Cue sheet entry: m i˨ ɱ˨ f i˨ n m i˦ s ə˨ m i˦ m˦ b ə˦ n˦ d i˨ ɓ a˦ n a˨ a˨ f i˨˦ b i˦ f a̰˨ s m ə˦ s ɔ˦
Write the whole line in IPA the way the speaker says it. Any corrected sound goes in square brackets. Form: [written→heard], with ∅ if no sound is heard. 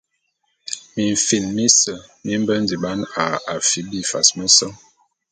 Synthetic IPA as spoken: m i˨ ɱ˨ f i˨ n m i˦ s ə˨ m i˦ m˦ b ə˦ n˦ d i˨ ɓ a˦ n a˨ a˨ f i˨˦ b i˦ f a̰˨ s m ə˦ s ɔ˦